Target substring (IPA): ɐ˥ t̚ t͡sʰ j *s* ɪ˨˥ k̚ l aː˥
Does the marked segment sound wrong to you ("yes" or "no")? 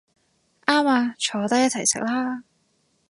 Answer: no